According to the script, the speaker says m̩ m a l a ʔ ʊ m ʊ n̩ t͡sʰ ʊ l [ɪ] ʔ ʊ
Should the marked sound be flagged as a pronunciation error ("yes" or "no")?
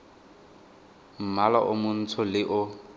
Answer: no